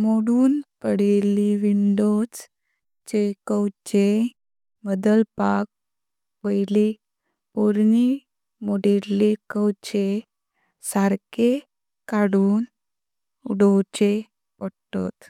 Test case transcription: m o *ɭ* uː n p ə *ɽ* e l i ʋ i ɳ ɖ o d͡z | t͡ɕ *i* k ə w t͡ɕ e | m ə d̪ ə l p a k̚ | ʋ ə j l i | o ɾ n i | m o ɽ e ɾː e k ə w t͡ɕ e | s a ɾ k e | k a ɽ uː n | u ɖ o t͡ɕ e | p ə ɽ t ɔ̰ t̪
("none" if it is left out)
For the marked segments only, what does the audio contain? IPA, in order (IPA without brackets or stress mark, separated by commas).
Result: ɽ, ɽ, e